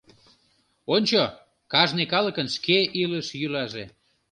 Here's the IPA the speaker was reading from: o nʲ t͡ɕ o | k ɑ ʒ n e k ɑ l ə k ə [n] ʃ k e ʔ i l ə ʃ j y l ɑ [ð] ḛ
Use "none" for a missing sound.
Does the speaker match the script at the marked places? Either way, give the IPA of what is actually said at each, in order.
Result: n, ʒ

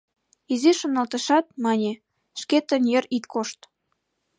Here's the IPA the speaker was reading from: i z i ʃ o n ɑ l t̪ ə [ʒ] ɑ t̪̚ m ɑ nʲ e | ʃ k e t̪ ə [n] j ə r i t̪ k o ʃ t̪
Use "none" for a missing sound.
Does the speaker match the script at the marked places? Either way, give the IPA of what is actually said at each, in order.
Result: ʃ, n

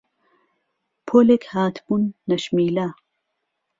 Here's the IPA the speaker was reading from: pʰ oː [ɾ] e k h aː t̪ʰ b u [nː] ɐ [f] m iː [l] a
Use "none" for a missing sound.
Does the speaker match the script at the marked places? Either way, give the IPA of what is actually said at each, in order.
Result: l, nː, ʃ, l

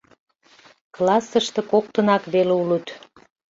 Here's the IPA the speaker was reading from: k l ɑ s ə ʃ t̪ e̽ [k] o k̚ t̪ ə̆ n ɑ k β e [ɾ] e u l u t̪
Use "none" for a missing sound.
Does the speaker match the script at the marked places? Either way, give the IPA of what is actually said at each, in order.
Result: k, l

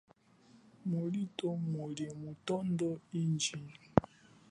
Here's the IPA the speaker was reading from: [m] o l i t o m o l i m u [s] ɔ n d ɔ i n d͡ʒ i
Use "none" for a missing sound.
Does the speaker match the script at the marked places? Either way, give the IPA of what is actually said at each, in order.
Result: m, t

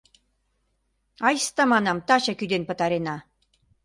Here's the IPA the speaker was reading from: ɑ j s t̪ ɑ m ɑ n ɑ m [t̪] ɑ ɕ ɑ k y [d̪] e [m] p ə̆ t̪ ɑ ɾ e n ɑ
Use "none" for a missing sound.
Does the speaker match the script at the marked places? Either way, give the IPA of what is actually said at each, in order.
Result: t̪, d̪, n

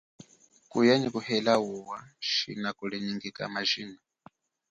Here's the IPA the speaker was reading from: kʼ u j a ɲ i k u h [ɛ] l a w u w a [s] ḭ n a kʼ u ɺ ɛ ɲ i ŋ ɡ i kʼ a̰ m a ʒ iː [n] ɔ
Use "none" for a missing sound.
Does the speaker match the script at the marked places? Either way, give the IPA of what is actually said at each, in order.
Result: ɛ, ʃ, n

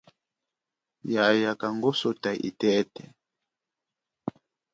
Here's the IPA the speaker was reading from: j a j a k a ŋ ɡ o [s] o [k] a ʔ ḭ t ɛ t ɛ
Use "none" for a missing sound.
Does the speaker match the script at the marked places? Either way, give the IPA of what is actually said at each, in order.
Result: s, t

